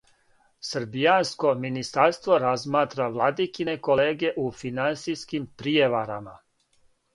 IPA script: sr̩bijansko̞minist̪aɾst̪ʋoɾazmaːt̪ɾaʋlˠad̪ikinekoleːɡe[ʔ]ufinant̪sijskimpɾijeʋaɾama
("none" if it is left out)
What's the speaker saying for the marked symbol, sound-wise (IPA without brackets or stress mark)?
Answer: ʔ